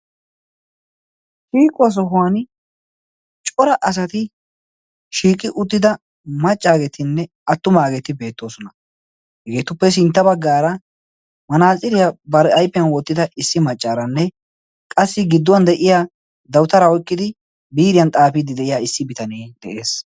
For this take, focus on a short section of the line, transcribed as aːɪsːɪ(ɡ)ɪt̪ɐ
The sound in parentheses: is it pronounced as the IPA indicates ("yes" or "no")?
no